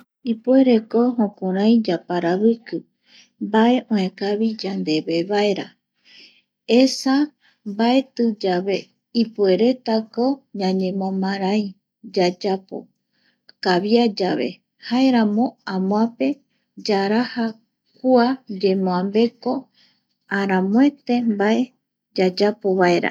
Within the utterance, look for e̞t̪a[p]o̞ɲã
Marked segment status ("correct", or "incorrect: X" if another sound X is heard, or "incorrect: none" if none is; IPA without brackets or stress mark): incorrect: k